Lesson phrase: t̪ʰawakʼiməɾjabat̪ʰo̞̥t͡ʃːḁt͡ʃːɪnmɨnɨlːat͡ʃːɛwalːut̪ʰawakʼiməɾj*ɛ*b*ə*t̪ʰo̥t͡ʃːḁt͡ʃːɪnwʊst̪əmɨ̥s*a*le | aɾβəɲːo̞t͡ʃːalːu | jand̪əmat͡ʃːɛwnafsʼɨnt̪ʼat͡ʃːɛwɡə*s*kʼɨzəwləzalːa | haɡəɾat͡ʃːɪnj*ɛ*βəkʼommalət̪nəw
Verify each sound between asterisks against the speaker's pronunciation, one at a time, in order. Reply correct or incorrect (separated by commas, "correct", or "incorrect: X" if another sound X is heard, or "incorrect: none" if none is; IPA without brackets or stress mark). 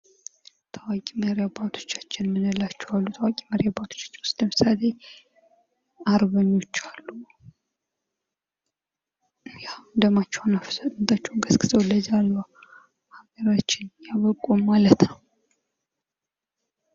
incorrect: a, incorrect: a, correct, correct, incorrect: a